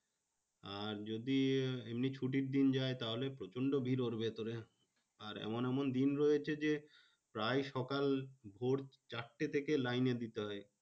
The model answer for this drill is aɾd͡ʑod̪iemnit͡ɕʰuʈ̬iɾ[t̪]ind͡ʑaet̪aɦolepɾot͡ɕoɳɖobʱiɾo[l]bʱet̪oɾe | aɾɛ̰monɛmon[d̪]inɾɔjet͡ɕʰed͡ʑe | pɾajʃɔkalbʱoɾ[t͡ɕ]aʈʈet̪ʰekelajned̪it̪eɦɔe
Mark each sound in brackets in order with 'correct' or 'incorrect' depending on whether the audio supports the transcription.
incorrect, incorrect, correct, correct

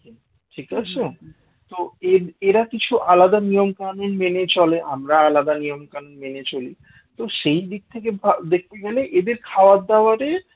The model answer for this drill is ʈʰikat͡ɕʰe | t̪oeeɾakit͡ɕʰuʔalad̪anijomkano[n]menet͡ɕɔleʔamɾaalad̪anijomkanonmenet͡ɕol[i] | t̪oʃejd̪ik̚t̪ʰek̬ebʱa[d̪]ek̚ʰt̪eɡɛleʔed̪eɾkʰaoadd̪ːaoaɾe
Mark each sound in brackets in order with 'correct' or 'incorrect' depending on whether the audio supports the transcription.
correct, correct, correct

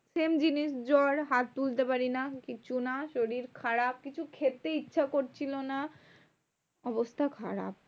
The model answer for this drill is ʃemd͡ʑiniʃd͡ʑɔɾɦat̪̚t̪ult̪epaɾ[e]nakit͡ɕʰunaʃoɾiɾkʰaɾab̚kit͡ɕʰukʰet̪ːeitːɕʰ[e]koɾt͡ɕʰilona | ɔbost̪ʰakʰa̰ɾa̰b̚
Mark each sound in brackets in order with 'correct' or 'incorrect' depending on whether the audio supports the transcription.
incorrect, incorrect

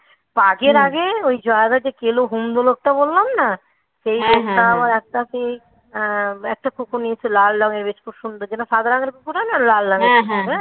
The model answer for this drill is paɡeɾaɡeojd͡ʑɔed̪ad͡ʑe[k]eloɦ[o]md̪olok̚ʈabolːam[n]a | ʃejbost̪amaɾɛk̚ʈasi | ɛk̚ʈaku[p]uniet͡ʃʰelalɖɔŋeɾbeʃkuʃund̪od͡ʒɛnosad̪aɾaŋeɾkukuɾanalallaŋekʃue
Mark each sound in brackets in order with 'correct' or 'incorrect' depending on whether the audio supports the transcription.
correct, incorrect, correct, incorrect

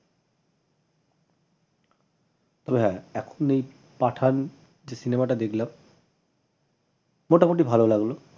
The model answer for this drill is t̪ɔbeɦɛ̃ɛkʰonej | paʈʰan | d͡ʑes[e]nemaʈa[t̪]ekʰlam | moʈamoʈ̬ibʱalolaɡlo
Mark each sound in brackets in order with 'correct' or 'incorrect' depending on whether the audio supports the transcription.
incorrect, incorrect

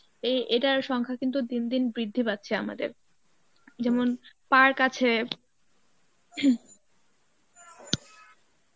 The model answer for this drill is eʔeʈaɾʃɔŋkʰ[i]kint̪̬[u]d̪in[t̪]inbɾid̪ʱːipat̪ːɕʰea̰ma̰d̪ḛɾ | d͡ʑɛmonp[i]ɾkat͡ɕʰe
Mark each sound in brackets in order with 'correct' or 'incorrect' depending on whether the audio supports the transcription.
incorrect, correct, incorrect, incorrect

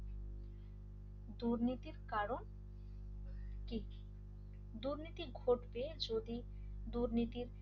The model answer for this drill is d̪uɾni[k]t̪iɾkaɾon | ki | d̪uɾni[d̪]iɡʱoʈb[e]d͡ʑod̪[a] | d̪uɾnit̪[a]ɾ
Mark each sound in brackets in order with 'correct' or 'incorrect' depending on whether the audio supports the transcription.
incorrect, incorrect, correct, incorrect, incorrect

